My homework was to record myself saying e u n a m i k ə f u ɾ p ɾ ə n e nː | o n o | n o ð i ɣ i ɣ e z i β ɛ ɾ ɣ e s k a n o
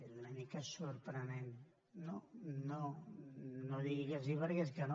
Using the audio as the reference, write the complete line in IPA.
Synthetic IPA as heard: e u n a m i k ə s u ɾ p ɾ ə n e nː | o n o | n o ð i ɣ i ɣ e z i β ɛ ɾ ɣ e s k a n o